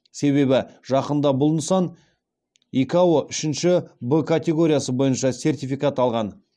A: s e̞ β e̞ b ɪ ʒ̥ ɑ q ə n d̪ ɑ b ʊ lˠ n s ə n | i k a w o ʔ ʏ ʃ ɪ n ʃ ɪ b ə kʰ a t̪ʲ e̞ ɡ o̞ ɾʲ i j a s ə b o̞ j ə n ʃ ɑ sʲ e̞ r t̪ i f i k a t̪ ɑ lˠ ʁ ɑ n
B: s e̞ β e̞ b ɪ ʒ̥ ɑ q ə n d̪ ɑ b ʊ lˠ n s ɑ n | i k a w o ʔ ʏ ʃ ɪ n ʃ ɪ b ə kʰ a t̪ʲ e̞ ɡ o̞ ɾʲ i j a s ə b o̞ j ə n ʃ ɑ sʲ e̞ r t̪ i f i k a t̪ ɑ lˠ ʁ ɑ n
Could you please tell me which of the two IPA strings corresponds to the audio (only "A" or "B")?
B